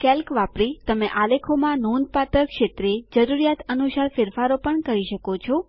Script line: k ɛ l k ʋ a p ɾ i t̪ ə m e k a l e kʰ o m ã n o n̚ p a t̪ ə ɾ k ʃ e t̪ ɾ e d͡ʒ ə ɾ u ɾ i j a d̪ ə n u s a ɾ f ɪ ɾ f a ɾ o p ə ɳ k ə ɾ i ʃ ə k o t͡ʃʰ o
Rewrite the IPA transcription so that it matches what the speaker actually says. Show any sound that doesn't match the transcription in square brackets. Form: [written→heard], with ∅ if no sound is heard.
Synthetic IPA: k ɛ l k ʋ a p ɾ i t̪ ə m e [k→ʔ] a l e kʰ o m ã n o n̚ p a t̪ ə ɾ k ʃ e t̪ ɾ e d͡ʒ ə ɾ u ɾ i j a [d̪→t̪] ə n u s a ɾ f ɪ ɾ f a ɾ o p ə ɳ k ə ɾ i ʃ ə k o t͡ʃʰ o